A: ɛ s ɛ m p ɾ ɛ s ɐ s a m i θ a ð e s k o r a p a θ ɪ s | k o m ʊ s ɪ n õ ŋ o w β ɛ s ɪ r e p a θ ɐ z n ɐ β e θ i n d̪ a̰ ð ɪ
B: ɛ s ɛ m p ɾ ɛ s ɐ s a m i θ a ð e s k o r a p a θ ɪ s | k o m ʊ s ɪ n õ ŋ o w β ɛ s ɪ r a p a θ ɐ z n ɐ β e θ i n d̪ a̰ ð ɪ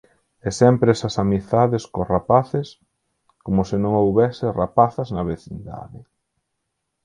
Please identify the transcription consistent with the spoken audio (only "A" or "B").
B